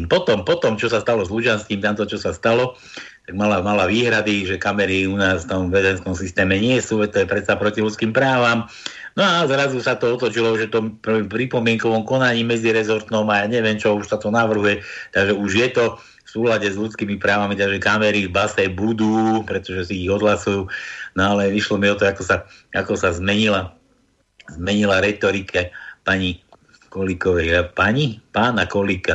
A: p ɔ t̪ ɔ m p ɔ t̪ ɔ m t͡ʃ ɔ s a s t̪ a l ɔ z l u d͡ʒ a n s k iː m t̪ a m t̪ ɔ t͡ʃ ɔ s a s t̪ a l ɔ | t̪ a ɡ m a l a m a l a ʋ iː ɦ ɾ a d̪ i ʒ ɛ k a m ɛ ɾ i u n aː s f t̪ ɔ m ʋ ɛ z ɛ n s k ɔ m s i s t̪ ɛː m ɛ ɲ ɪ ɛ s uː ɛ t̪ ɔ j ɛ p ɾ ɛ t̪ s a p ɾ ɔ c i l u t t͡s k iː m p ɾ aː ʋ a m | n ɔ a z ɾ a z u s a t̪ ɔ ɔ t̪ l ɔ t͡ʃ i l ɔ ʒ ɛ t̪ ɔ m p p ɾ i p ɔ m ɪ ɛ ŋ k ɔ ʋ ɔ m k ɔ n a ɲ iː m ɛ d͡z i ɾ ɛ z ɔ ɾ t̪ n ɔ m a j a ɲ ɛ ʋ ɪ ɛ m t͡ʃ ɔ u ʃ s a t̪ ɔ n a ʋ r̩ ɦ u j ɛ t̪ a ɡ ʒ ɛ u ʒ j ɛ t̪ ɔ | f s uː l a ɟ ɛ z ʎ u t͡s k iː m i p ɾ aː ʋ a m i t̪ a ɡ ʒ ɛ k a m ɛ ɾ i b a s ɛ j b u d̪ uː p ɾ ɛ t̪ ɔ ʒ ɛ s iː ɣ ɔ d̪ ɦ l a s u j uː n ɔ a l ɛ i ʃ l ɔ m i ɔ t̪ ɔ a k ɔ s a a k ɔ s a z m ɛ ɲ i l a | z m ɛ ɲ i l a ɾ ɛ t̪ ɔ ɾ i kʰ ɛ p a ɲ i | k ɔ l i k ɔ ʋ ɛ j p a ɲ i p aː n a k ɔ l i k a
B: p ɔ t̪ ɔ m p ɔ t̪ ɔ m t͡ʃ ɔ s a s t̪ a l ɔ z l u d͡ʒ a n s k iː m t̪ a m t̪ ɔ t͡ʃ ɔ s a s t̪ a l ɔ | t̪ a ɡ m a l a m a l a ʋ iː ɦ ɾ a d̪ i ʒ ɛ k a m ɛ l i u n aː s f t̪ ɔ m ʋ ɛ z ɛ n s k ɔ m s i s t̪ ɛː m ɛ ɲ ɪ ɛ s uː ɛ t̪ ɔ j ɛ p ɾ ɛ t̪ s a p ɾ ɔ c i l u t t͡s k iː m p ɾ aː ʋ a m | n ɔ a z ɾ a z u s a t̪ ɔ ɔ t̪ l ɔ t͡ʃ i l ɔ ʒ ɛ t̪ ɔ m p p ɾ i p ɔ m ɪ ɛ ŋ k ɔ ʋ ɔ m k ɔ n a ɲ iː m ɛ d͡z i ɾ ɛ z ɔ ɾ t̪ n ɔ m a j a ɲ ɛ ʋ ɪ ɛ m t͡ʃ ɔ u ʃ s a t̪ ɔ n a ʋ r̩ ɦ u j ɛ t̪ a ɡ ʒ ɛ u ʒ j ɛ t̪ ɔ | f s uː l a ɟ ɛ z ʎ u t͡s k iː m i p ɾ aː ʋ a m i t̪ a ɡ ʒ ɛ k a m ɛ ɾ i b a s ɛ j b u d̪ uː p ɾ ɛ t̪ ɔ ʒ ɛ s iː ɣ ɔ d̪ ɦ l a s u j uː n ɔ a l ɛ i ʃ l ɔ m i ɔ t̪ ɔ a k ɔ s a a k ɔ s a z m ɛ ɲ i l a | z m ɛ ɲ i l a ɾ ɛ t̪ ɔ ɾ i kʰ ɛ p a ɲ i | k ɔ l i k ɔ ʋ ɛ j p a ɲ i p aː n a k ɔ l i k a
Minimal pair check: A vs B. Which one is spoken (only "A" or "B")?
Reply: A